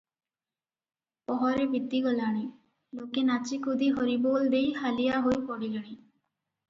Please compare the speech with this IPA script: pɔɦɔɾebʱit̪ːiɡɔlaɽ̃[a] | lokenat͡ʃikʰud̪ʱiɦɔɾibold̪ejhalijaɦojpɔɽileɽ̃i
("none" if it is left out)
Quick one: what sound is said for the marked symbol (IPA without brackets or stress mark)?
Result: i